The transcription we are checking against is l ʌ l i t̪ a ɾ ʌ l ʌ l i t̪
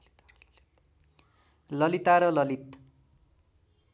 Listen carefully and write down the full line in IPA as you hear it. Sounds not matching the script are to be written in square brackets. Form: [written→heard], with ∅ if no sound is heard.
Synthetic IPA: l ʌ l i t̪ a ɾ ʌ l ʌ l i t̪